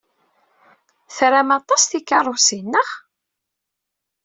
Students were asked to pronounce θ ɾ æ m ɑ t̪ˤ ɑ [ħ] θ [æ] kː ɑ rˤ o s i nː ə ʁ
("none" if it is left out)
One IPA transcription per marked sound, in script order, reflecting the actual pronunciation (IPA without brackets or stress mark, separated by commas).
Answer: s, i